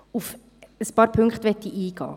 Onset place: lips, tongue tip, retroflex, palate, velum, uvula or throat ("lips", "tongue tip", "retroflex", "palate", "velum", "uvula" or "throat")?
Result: lips